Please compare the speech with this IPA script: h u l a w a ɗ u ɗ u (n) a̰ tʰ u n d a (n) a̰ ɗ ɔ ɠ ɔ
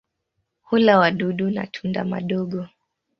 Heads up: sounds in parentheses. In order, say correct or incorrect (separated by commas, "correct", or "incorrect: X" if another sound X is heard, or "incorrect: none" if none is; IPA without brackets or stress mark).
correct, incorrect: m